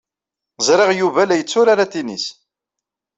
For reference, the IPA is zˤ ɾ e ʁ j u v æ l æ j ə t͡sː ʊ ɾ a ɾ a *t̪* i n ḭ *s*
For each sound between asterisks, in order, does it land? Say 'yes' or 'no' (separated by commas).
yes, yes